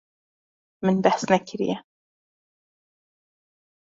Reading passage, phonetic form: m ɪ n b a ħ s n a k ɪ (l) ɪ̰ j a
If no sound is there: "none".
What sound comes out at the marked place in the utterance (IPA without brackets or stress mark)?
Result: ɾ